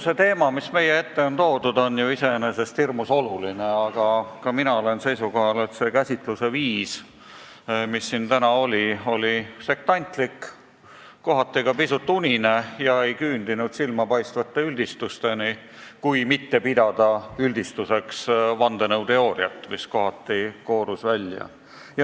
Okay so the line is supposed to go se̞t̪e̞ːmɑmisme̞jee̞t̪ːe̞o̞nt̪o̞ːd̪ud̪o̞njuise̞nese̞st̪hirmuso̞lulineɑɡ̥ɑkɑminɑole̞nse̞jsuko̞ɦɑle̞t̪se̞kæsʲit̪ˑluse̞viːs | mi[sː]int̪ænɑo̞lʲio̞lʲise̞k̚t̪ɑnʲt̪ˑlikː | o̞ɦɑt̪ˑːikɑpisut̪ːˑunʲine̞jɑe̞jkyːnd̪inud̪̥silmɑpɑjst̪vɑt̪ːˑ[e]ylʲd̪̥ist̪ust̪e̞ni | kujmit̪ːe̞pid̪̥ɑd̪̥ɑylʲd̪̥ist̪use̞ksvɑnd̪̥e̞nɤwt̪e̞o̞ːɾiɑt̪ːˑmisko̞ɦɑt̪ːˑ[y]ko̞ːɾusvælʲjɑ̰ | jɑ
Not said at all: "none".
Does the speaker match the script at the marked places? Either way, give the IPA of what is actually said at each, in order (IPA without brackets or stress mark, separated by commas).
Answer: sː, e, i